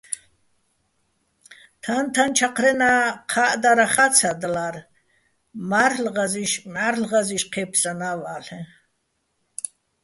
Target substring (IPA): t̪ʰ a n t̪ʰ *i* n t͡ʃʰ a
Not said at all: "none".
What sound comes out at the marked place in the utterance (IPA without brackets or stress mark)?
a